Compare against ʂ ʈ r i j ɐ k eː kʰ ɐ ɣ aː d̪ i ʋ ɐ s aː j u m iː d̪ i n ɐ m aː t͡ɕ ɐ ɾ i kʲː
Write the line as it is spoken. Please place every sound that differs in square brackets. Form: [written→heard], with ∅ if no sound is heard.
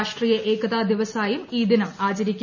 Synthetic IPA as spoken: ʂ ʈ r i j ɐ [k→ʔ] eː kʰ ɐ [ɣ→ð] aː d̪ i ʋ ɐ s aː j u m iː d̪ i n ɐ m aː t͡ɕ ɐ ɾ i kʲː

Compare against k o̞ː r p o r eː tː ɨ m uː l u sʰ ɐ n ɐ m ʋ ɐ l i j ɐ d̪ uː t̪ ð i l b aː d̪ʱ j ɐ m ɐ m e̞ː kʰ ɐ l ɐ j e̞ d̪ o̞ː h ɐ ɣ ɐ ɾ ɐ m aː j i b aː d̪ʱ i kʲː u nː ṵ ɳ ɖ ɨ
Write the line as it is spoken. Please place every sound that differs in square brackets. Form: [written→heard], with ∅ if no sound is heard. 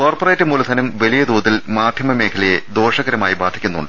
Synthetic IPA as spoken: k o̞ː r p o r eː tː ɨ m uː l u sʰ ɐ n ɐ m ʋ ɐ l i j ɐ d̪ uː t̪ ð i l [b→m] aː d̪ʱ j ɐ m ɐ m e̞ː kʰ ɐ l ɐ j e̞ d̪ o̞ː [h→ʂ] ɐ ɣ ɐ ɾ ɐ m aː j i b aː d̪ʱ i kʲː u nː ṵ ɳ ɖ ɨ

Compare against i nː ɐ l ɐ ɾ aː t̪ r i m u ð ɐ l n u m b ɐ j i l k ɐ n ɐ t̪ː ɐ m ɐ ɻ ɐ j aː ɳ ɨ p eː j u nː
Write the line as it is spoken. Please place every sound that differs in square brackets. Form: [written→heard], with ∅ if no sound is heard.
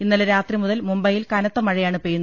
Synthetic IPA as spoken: i nː ɐ l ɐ ɾ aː t̪ r i m u ð ɐ l [n→m] u m b ɐ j i l k ɐ n ɐ t̪ː ɐ m ɐ ɻ ɐ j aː ɳ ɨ p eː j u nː

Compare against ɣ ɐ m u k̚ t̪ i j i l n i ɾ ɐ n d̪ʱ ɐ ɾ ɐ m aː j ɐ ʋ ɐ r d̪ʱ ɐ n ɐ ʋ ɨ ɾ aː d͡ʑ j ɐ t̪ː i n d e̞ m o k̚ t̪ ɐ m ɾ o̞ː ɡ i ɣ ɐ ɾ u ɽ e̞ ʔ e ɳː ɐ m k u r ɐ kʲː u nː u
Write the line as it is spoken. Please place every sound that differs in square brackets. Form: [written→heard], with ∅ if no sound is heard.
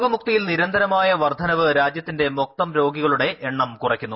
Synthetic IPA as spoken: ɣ ɐ m u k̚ t̪ i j i l n i ɾ ɐ n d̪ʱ ɐ ɾ ɐ m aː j ɐ ʋ ɐ r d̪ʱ ɐ n ɐ ʋ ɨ ɾ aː d͡ʑ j ɐ t̪ː i n d e̞ m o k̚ t̪ ɐ m ɾ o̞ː ɡ i ɣ ɐ [ɾ→ɭ] u ɽ e̞ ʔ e ɳː ɐ m k u r ɐ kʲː u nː u

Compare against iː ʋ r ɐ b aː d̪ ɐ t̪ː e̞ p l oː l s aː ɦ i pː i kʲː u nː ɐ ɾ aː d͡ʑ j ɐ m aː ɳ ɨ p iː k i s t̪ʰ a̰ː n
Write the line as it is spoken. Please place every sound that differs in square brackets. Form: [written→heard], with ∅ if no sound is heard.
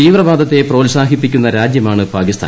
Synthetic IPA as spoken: iː ʋ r ɐ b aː d̪ ɐ t̪ː e̞ p [l→r] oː l s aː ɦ i pː i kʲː u nː ɐ ɾ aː d͡ʑ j ɐ m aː ɳ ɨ p [iː→aː] k i s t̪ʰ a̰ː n

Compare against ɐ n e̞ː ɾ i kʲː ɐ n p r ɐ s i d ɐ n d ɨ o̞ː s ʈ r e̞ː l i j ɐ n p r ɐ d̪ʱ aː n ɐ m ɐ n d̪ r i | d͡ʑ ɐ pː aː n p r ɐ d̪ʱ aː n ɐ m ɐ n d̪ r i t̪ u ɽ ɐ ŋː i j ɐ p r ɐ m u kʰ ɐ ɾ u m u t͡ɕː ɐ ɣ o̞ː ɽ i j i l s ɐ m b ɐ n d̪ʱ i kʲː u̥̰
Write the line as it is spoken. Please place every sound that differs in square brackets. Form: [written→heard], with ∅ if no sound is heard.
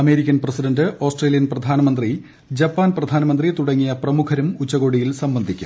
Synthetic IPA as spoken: ɐ [n→m] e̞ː ɾ i kʲː ɐ n p r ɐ s i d ɐ n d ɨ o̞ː s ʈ r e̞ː l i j ɐ n p r ɐ d̪ʱ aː n ɐ m ɐ n d̪ r i | d͡ʑ ɐ pː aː n p r ɐ d̪ʱ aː n ɐ m ɐ n d̪ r i t̪ u ɽ ɐ ŋː i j ɐ p r ɐ m u kʰ ɐ ɾ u m u t͡ɕː ɐ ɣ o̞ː ɽ i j i l s ɐ m b ɐ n d̪ʱ i kʲː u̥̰

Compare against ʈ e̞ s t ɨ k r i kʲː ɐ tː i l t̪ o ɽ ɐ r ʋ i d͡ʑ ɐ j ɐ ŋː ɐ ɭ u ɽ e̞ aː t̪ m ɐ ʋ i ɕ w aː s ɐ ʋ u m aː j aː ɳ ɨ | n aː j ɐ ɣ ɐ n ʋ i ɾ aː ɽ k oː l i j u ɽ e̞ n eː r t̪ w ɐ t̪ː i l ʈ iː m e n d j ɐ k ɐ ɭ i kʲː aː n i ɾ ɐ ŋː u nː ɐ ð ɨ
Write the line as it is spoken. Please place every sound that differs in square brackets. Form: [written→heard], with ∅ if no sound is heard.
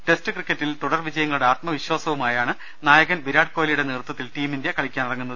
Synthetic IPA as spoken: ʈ e̞ s t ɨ k r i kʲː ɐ tː i l t̪ [o→u] ɽ ɐ r ʋ i d͡ʑ ɐ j ɐ ŋː ɐ ɭ u ɽ e̞ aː t̪ m ɐ ʋ i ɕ w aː s ɐ ʋ u m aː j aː ɳ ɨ | n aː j ɐ ɣ ɐ n ʋ i ɾ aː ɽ k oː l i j u ɽ e̞ n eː r t̪ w ɐ t̪ː i l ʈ iː m [e→i] n d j ɐ k ɐ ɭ i kʲː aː n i [ɾ→r] ɐ ŋː u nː ɐ ð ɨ

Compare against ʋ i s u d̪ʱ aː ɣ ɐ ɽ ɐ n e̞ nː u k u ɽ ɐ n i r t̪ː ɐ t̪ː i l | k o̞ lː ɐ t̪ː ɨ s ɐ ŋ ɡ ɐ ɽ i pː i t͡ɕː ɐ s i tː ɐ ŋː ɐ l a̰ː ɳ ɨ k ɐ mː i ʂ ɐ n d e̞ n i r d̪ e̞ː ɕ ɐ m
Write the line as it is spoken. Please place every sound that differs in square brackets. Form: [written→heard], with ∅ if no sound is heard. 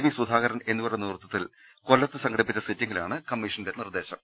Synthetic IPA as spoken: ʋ i s u d̪ʱ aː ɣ ɐ [ɽ→ɾ] ɐ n e̞ nː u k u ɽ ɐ n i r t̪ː ɐ t̪ː i l | k o̞ lː ɐ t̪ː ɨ s ɐ ŋ ɡ ɐ ɽ i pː i t͡ɕː ɐ s i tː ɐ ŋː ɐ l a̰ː ɳ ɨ k ɐ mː i ʂ ɐ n d e̞ n i r d̪ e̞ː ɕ ɐ m

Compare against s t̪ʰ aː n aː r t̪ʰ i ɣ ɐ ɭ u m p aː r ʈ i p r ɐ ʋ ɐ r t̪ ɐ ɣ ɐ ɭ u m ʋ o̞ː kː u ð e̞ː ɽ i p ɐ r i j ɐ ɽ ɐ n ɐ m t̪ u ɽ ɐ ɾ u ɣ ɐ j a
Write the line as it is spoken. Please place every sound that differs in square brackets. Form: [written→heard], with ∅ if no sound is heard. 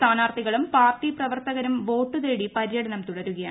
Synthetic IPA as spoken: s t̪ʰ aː n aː r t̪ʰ i ɣ ɐ ɭ u m p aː r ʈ i p r ɐ ʋ ɐ r t̪ ɐ ɣ ɐ [ɭ→ɾ] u m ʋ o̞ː [kː→ʈː] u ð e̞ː ɽ i p ɐ [r→ɾ] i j ɐ ɽ ɐ n ɐ m t̪ u ɽ ɐ ɾ u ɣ ɐ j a

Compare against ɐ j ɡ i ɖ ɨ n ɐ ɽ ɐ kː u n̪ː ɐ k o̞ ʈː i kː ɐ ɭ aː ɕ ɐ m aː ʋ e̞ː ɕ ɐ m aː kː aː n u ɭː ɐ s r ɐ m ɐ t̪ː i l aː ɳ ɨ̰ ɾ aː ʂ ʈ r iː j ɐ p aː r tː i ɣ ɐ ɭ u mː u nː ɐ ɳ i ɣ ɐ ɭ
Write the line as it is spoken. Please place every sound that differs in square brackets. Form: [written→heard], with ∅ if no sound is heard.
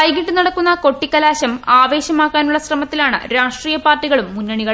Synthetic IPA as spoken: ɐ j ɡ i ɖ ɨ n ɐ ɽ ɐ kː u n̪ː ɐ k o̞ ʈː i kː ɐ [ɭ→l] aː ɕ ɐ m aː ʋ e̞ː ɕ ɐ m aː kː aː n u ɭː ɐ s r ɐ m ɐ t̪ː i l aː ɳ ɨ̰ ɾ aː ʂ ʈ r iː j ɐ p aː r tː i ɣ ɐ ɭ u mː u nː ɐ ɳ i ɣ ɐ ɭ

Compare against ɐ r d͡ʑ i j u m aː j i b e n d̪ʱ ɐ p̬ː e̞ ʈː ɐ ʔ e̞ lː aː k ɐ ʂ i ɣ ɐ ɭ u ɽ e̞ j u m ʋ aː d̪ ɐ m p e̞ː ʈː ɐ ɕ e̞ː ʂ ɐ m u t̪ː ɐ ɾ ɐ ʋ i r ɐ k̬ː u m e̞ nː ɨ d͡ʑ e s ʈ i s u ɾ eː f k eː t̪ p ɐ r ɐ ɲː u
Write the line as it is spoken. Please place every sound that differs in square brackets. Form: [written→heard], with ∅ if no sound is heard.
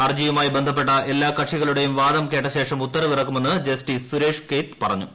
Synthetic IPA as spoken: ɐ r d͡ʑ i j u m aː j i b e n d̪ʱ ɐ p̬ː e̞ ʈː ɐ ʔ e̞ lː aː k ɐ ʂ i ɣ ɐ ɭ u ɽ e̞ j u m ʋ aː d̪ ɐ m [p→k] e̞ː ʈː ɐ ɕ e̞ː ʂ ɐ m u t̪ː ɐ ɾ ɐ ʋ i r ɐ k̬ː u m e̞ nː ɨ d͡ʑ e s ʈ i s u ɾ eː [f→ʂ] k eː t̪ p ɐ r ɐ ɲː u

